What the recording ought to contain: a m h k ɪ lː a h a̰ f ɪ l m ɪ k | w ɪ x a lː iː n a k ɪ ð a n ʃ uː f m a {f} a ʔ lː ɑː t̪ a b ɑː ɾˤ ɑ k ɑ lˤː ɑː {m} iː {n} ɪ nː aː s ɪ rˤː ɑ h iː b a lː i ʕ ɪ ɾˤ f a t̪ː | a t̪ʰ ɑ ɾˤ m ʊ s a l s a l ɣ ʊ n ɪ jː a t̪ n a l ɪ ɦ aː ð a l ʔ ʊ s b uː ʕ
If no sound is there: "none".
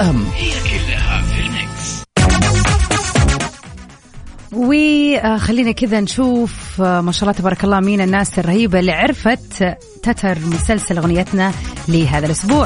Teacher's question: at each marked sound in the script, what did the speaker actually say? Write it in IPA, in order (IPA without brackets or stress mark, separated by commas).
ʃ, m, n